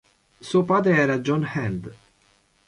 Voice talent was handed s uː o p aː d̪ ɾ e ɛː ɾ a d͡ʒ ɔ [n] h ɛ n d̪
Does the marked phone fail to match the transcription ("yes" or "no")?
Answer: no